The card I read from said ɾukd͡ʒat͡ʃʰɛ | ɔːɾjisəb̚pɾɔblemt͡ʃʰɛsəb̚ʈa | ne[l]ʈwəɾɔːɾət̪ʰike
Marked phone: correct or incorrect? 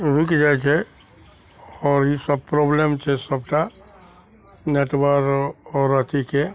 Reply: incorrect